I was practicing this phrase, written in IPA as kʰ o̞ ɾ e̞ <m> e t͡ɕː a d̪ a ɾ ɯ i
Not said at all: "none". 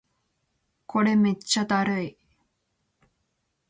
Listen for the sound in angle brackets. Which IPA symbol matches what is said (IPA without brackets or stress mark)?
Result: m